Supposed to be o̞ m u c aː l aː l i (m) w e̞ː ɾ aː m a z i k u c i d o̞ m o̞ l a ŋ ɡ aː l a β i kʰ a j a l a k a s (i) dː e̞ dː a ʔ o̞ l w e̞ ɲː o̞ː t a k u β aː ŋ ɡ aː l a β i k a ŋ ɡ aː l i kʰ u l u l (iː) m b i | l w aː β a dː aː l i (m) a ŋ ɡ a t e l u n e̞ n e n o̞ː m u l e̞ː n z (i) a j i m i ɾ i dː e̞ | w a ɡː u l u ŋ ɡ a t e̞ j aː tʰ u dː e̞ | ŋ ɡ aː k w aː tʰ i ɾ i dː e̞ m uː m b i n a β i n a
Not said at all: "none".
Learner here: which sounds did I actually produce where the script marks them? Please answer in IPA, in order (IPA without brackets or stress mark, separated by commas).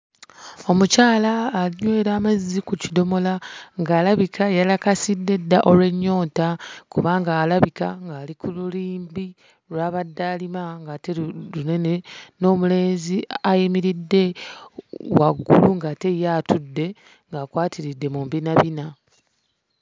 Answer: ɲ, i, iː, m, i